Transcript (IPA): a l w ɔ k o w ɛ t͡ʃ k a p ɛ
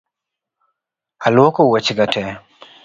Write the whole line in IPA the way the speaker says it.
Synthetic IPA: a l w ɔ k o w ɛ t͡ʃ ɡ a t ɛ